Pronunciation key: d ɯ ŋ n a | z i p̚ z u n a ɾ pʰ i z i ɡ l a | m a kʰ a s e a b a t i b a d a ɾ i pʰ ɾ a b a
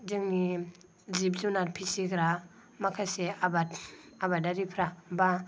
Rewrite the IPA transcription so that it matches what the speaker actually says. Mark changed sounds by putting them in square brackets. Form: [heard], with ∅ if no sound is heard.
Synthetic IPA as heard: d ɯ ŋ n [i] | z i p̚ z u n a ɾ pʰ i [s] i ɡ [ɾ] a | m a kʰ a s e a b a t [a] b a d a ɾ i pʰ ɾ a b a